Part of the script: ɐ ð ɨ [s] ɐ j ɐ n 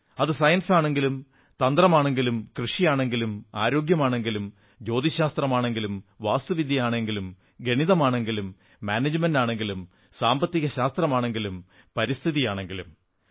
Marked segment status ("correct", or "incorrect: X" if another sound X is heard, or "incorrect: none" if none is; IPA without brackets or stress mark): correct